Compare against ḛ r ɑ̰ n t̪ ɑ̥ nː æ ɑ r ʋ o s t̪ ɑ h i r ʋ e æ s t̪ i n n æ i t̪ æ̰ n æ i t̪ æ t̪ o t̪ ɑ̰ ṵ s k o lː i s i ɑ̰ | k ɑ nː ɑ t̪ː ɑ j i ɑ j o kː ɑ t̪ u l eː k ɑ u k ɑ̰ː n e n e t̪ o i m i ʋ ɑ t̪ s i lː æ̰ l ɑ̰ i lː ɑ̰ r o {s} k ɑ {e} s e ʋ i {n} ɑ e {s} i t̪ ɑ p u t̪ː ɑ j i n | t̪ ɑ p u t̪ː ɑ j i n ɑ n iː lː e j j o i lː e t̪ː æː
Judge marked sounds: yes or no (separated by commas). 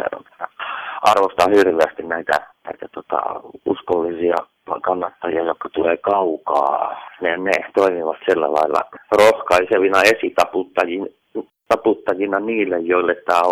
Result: no, no, yes, yes